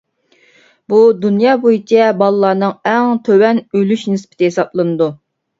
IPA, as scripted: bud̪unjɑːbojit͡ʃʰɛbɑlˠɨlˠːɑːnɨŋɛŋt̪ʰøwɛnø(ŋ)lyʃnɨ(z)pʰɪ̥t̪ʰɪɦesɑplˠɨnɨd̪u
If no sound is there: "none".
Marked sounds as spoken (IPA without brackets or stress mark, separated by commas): none, s